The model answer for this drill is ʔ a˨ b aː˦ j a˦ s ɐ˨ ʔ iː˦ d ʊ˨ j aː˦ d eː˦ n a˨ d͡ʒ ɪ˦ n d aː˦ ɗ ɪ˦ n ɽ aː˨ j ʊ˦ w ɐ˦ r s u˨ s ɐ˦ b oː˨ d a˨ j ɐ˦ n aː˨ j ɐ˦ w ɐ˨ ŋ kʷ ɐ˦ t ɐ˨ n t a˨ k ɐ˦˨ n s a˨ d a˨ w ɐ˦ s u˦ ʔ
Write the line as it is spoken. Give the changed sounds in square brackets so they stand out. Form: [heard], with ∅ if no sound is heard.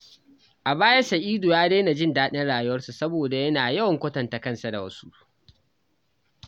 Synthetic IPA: ʔ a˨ b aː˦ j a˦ s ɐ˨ ʔ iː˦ d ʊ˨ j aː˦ d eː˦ n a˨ d͡ʒ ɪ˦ n d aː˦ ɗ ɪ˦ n ɽ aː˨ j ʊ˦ w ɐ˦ r s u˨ s ɐ˦ b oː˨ d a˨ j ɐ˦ n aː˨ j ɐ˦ w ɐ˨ ŋ kʷ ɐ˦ t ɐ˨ n t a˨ k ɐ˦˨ n s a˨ d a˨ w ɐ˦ s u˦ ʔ